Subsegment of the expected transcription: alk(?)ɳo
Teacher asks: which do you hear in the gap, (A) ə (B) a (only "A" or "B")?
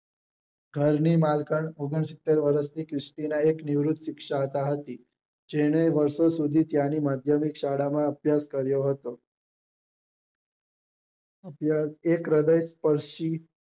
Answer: A